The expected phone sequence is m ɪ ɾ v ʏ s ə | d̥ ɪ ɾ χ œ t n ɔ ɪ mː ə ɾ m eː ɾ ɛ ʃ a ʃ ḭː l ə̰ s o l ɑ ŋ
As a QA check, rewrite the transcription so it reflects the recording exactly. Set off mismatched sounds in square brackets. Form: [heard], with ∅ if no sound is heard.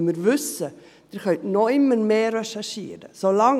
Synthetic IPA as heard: m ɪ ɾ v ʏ s ə | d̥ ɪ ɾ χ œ t n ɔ ɪ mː ə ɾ m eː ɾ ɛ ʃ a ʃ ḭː [ɾ] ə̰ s o l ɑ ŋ

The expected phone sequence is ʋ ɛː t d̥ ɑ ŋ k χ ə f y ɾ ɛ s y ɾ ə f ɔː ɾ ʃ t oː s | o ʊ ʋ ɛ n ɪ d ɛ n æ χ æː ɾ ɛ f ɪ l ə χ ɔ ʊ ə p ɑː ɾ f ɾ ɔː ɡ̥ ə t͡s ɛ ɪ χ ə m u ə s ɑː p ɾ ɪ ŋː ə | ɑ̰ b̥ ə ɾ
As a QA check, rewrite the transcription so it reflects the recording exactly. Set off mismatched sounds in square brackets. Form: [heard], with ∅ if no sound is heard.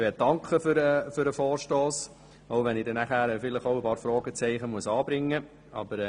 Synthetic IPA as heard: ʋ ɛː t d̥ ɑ ŋ k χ ə f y ɾ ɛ [f] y ɾ ə f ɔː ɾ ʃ t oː s | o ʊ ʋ ɛ n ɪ d ɛ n æ χ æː ɾ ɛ f ɪ l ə χ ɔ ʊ ə p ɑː ɾ f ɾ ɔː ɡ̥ ə t͡s ɛ ɪ χ ə m u ə s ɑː [b] ɾ ɪ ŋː ə | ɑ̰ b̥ ə ɾ

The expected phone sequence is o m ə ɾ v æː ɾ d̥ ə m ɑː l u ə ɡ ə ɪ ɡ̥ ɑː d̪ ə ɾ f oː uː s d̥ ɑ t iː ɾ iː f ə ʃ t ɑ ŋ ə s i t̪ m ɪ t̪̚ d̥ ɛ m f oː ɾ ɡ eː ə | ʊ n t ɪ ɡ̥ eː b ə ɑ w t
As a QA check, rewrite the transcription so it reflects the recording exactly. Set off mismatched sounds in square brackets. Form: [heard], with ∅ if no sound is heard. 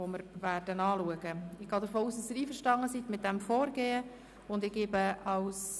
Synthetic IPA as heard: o m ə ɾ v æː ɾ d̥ ə [n] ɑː l u ə ɡ ə ɪ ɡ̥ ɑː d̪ ə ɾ f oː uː s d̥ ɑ [s] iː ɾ iː f ə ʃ t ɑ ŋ ə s i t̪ m ɪ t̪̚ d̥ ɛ m f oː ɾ ɡ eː ə | ʊ n [d] ɪ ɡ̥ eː b ə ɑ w [s]

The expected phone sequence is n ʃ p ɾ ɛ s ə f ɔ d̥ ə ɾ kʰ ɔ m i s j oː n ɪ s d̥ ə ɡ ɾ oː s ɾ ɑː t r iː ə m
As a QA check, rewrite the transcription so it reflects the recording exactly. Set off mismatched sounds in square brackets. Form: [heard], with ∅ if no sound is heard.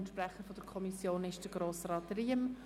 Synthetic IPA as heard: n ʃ p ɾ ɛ [χ] ə f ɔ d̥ ə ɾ kʰ ɔ m i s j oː n ɪ [ʃ] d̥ ə ɡ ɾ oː s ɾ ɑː t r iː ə m

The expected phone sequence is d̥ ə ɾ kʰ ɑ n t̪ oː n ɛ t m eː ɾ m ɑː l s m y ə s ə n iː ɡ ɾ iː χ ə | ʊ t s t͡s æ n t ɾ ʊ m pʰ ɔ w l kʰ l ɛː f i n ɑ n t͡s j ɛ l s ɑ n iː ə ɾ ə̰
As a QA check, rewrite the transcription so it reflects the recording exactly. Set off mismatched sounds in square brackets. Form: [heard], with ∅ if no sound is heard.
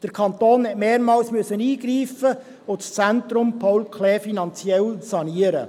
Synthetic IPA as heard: d̥ ə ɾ kʰ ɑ n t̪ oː n ɛ t m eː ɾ m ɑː l s m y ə s ə n iː ɡ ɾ iː [f] ə | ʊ t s t͡s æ n t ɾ ʊ m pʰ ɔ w l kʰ l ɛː f i n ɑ n t͡s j ɛ l s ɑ n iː ə ɾ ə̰

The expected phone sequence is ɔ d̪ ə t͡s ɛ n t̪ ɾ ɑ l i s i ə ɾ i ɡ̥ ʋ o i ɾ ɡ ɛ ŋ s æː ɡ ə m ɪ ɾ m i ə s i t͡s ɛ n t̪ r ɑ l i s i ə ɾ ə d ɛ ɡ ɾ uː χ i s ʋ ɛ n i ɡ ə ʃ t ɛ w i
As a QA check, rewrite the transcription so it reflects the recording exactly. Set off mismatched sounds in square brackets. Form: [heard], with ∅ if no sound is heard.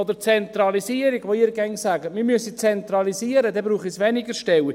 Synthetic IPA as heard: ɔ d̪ ə t͡s ɛ n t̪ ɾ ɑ l i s i ə ɾ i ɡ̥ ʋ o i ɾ ɡ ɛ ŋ s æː ɡ ə m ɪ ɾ m [y] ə s i t͡s ɛ n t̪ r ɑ l i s i ə ɾ ə d ɛ [b] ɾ uː χ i s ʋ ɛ n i ɡ ə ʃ t ɛ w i

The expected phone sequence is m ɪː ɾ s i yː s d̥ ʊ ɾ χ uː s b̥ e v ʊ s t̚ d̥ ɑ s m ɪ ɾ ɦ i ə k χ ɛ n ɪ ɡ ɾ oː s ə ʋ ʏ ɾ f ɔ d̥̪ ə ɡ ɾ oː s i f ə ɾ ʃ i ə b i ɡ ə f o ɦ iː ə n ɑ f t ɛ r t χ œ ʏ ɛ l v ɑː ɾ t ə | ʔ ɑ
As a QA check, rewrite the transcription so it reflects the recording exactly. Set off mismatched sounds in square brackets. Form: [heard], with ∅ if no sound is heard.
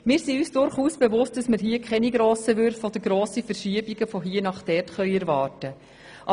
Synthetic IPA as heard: m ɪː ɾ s i yː s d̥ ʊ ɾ χ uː s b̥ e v ʊ s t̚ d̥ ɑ s m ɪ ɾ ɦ i ə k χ ɛ n [i] ɡ ɾ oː s ə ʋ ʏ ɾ f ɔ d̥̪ ə ɡ ɾ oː s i f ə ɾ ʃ i ə b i ɡ ə f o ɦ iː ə n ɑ [χ] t ɛ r t χ œ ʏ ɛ [ɾ] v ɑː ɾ t ə | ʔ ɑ

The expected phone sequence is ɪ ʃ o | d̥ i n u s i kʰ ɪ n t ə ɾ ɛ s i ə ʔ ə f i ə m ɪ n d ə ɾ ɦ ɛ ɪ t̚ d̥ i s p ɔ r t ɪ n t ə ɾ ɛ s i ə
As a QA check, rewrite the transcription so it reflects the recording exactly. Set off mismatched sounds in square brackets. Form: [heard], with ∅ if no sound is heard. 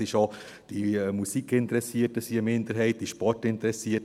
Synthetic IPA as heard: ɪ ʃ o | d̥ i [m] u s i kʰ ɪ n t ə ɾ ɛ s i ə [t] ə [s] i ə m ɪ n d ə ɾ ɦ ɛ ɪ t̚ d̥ i [ʃ] p ɔ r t ɪ n t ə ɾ ɛ s i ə

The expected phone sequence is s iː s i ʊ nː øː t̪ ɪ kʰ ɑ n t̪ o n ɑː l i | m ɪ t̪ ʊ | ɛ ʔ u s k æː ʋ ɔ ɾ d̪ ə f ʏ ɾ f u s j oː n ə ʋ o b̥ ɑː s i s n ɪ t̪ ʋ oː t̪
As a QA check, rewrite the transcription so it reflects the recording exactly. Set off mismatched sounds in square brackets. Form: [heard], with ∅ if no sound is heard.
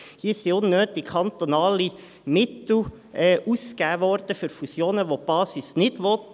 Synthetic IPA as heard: [h] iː s i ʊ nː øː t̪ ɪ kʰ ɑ n t̪ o n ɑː l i | m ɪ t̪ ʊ | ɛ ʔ u s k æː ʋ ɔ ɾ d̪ ə f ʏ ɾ f u s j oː n ə ʋ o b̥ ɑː s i s n ɪ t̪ ʋ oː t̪

